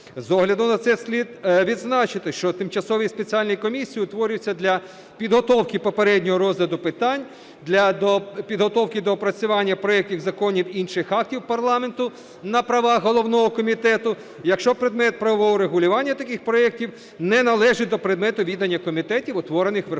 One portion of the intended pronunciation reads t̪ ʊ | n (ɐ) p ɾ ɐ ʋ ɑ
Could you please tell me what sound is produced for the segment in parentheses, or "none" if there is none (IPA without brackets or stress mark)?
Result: ɐ